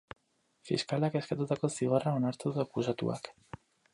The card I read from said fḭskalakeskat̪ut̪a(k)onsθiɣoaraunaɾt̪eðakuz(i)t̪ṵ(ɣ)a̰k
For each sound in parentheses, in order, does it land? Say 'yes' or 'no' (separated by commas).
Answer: yes, no, no